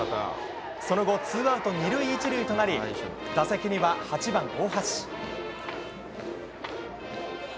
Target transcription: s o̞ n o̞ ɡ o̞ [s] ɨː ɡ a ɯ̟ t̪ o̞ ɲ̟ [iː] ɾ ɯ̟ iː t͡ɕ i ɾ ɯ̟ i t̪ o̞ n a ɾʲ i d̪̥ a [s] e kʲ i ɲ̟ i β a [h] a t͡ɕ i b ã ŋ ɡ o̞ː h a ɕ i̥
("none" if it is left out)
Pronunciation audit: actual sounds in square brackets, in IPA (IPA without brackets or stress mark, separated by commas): t͡s, i, s, h